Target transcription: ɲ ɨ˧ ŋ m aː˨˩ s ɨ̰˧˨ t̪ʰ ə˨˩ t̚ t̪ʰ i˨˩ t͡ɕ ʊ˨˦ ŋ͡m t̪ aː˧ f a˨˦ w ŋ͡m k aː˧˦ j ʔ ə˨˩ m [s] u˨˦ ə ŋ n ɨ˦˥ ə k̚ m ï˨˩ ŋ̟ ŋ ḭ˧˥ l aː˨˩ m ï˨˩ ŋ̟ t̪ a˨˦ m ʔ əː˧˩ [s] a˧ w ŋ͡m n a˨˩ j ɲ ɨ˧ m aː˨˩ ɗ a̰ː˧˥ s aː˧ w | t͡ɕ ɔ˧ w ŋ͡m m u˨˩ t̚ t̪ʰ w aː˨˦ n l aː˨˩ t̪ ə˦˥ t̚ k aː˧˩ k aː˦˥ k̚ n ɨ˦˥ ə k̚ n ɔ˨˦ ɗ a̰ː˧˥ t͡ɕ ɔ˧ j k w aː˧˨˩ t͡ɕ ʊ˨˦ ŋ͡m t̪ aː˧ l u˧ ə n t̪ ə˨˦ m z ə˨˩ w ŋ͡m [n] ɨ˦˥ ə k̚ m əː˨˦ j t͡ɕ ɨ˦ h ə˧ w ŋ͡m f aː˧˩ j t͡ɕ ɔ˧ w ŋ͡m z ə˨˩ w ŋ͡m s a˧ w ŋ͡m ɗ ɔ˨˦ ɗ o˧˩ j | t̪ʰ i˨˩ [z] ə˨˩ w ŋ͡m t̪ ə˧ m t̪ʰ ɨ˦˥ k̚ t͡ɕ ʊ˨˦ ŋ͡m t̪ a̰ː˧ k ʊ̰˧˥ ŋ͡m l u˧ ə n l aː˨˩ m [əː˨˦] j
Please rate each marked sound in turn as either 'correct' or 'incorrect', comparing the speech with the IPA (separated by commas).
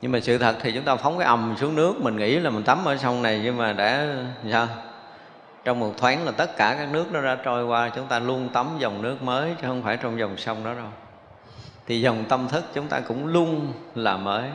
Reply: correct, correct, correct, correct, correct